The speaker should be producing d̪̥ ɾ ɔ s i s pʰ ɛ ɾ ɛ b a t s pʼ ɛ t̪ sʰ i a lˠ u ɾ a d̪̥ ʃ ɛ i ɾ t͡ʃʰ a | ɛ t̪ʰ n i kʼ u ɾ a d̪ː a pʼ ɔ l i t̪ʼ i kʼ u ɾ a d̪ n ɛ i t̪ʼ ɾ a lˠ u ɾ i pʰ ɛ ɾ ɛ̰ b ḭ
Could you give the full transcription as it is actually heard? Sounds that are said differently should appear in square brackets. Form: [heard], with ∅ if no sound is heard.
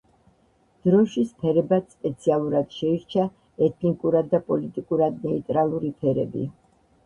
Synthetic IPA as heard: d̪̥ ɾ ɔ [ʃ] i s pʰ ɛ ɾ ɛ b a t s pʼ ɛ t̪ sʰ i a lˠ u ɾ a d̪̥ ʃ ɛ i ɾ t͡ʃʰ a | ɛ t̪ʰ n i kʼ u ɾ a d̪ː a pʼ ɔ l i t̪ʼ i kʼ u ɾ a d̪ n ɛ i t̪ʼ ɾ a lˠ u ɾ i pʰ ɛ ɾ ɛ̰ b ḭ